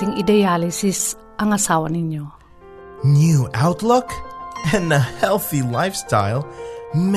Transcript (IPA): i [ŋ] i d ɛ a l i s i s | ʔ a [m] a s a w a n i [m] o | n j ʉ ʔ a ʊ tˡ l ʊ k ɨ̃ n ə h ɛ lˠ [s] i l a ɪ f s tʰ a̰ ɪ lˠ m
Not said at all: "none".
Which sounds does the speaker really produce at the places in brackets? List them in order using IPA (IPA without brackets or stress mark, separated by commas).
ŋ, ŋ, ɲ, θ